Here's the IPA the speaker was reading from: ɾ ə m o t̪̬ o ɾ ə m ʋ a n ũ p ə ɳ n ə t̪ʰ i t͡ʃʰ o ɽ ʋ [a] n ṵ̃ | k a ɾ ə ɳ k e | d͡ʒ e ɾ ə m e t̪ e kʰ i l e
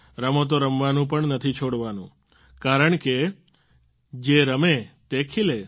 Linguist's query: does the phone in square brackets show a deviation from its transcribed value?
no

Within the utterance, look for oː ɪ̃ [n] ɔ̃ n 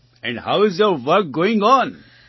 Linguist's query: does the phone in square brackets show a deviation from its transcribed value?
yes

